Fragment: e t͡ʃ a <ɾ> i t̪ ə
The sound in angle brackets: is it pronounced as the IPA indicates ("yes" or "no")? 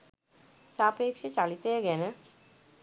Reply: no